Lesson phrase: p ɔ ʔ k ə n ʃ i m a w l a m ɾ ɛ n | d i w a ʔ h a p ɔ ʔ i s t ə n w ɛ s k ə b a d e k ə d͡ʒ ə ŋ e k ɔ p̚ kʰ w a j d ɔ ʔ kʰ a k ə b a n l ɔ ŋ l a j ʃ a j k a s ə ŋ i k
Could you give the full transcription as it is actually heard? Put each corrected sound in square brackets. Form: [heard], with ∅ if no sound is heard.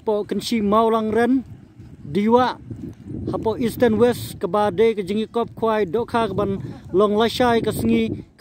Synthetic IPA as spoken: p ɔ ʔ k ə n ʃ i m a w l a [ŋ] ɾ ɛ n | d i w a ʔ h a p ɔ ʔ i s t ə n w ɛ s k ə b a d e k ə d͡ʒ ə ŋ [i] k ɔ p̚ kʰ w a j d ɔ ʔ kʰ a k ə b a n l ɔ ŋ l a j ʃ a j k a s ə ŋ i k